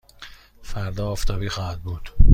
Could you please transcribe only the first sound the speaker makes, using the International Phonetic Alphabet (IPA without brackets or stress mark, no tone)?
f